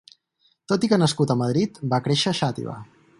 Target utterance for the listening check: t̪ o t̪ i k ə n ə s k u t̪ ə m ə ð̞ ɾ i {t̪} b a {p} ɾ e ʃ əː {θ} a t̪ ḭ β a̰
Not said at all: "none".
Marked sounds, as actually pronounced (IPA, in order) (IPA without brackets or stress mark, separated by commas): t̪, k, ʃ